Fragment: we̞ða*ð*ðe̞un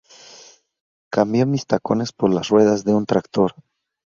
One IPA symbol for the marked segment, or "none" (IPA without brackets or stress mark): z